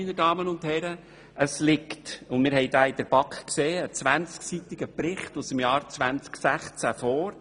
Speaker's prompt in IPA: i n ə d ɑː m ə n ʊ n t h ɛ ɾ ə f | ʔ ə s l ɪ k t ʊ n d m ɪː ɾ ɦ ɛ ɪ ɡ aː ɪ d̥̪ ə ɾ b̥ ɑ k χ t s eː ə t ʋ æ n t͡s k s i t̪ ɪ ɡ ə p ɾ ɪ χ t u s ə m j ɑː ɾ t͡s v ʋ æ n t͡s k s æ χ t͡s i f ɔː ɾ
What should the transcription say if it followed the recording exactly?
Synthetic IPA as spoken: i n ə d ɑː m ə n ʊ n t h ɛ ɾ ə | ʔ ə s l ɪ k t ʊ n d m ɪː ɾ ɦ ɛ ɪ d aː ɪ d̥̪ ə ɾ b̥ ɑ k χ k s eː ə t͡s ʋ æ n t͡s k s i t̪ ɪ ɡ ə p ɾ ɪ χ t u s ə m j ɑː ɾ t͡s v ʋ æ n t͡s k s æ χ t͡s æ f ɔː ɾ